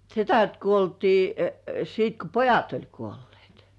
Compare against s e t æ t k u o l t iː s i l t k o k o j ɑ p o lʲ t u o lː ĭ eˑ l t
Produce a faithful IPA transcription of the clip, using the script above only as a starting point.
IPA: s e t æ t k u o l t iː s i t k o p o j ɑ t o lʲ k u o lː ĭ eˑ t